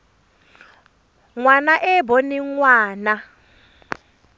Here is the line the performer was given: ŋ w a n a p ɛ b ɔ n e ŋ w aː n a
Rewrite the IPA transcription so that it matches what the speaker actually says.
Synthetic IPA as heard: ŋ w a n a ʔ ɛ b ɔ n i ŋ w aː n a